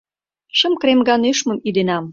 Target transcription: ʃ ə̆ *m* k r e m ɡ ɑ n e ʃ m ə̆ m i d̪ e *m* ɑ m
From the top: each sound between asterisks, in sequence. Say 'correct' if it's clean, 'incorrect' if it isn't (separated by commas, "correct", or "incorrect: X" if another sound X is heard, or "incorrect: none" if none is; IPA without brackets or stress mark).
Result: correct, incorrect: n